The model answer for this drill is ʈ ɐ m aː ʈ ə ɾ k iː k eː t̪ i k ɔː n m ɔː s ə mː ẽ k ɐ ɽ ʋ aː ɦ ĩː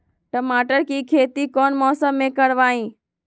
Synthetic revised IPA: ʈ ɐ m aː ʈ ə ɾ k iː kʰ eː t̪ i k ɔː n m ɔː s ə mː ẽ k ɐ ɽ ʋ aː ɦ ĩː